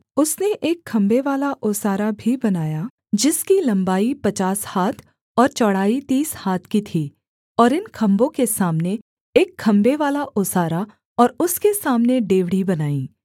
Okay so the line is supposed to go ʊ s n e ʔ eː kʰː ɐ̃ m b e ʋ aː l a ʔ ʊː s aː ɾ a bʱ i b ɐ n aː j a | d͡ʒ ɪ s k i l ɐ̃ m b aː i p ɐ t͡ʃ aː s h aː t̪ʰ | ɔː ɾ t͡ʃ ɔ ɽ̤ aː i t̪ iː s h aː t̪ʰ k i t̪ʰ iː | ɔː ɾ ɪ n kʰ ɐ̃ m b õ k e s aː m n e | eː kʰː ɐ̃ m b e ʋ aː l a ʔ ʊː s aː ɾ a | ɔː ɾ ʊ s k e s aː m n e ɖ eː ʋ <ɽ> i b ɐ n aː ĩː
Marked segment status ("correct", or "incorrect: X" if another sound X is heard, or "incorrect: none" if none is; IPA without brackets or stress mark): correct